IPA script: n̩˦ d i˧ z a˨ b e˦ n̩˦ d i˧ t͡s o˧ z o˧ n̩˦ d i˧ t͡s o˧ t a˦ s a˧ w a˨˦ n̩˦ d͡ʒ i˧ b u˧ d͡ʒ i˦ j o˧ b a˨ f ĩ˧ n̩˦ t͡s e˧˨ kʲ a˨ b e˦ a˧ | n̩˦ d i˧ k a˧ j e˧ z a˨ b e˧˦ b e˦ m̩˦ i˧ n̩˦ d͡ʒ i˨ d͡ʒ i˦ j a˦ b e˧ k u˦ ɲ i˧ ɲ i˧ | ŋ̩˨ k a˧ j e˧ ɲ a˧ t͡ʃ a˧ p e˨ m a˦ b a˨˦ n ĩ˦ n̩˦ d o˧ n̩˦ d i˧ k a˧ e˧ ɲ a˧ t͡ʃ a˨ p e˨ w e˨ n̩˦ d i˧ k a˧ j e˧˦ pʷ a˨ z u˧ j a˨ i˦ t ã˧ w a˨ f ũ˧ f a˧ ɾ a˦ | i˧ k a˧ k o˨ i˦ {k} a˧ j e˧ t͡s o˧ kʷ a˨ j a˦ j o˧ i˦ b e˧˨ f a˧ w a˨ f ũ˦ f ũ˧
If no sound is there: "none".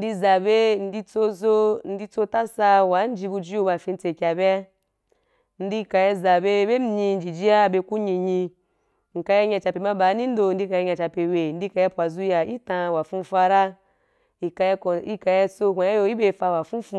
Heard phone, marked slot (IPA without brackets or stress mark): k